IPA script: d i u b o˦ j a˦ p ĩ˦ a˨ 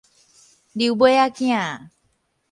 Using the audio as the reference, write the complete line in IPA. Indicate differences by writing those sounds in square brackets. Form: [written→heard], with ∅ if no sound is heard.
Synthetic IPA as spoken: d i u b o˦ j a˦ [p→k] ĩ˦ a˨